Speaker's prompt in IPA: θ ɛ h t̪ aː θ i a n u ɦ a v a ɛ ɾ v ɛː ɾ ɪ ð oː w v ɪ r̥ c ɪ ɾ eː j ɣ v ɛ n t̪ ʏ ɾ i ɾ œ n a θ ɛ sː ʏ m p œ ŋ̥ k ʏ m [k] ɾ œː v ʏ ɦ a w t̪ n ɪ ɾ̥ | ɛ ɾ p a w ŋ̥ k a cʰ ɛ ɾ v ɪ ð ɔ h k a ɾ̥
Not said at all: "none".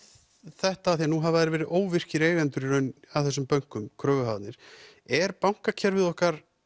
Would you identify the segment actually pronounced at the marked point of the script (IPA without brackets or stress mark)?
kʰ